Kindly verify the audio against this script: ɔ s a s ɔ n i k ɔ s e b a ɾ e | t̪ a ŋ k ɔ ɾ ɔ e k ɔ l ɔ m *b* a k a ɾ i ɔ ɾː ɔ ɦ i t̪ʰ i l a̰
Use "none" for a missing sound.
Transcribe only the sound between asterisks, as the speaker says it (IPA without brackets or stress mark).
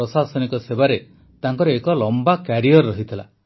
b